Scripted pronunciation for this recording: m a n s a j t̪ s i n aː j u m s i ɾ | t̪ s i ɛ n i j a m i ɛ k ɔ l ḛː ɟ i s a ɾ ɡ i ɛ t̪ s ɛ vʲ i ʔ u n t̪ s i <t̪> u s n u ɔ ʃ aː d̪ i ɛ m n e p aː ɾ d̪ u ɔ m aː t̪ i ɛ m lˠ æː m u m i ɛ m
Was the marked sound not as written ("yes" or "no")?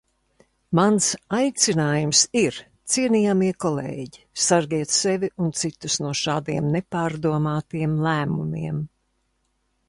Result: no